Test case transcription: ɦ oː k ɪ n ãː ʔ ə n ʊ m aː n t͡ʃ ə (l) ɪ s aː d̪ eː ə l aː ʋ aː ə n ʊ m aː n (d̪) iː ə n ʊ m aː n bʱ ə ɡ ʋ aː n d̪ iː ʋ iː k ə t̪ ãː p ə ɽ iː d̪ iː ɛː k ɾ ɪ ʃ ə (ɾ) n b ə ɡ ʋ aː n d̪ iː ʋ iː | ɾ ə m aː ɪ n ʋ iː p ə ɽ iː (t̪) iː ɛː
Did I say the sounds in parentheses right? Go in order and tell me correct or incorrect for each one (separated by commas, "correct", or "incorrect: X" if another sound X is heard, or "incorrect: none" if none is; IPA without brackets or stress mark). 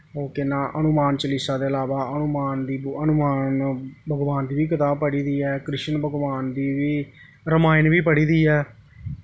correct, correct, incorrect: none, incorrect: d̪